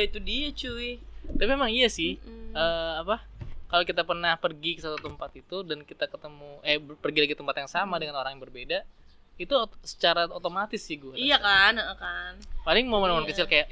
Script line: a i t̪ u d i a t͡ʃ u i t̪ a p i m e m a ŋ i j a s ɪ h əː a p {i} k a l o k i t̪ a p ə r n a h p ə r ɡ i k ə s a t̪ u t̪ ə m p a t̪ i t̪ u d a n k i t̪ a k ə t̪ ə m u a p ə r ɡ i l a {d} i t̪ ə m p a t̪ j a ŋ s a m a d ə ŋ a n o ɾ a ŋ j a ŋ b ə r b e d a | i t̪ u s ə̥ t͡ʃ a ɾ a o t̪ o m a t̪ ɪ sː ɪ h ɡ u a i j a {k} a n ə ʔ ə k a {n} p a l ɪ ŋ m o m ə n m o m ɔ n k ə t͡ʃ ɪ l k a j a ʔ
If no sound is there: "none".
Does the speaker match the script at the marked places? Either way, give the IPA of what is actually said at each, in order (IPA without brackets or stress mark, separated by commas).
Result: a, ɡ, k, n